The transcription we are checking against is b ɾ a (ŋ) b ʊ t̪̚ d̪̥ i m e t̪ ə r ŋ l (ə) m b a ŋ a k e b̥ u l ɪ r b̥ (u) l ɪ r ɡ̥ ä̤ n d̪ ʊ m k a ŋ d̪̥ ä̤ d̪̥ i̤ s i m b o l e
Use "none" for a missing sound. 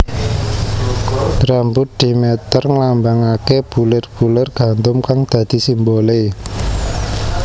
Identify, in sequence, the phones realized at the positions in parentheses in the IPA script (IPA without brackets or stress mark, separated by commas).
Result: m, a, u